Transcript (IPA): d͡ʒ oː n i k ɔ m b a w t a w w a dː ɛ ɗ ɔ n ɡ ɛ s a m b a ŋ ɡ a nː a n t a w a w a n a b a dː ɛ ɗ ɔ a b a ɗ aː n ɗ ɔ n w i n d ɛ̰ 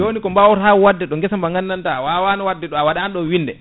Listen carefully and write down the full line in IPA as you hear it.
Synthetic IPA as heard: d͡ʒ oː n i k ɔ m b a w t a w w a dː ɛ ɗ ɔ ŋ ɡ ɛ s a m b a ŋ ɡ a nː a n t a w a w a n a w a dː ɛ ɗ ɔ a w a ɗ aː n ɗ ɔ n w i n d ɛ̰